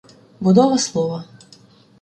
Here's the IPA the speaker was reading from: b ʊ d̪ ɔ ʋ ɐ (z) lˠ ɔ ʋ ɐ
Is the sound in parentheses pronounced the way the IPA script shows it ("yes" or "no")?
no